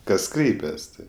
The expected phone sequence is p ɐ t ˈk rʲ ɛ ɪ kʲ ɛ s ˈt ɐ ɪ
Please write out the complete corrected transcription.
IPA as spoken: k ɐ s ˈk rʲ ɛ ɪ pʲ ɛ s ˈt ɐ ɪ